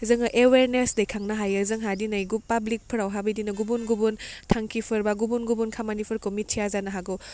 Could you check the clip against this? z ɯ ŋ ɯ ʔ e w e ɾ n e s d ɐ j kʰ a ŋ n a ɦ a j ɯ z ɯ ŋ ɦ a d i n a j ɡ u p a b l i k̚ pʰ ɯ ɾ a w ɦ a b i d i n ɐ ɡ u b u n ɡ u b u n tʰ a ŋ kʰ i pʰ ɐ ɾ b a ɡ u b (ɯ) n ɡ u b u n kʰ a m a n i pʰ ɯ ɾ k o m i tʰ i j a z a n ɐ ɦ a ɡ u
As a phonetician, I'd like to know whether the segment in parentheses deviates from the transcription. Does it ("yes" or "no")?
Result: yes